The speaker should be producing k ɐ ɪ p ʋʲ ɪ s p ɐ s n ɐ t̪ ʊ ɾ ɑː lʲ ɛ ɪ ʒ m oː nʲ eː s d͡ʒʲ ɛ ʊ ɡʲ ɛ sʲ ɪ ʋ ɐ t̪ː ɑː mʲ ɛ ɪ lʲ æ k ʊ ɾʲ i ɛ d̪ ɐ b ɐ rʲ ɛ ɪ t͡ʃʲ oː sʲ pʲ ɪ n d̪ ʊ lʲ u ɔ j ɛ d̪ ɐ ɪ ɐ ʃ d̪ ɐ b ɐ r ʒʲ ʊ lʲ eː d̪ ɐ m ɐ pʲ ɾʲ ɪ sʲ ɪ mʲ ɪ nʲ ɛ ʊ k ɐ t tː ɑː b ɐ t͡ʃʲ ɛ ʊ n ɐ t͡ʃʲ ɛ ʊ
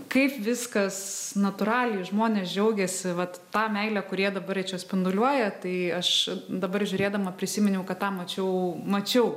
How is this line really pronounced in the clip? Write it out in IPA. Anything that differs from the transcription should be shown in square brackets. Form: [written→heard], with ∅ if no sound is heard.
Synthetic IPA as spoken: k ɐ ɪ p ʋʲ ɪ s [p→k] ɐ s n ɐ t̪ ʊ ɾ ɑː lʲ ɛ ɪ ʒ m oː nʲ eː s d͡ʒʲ ɛ ʊ ɡʲ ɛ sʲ ɪ ʋ ɐ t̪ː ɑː mʲ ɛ ɪ lʲ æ k ʊ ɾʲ i ɛ d̪ ɐ b ɐ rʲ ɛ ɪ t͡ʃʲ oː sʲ pʲ ɪ n d̪ ʊ lʲ u ɔ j ɛ [d̪→t̪] ɐ ɪ ɐ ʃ d̪ ɐ b ɐ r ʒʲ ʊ [lʲ→ɾʲ] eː d̪ ɐ m ɐ pʲ ɾʲ ɪ sʲ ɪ mʲ ɪ nʲ ɛ ʊ k ɐ t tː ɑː [b→m] ɐ t͡ʃʲ ɛ ʊ [n→m] ɐ t͡ʃʲ ɛ ʊ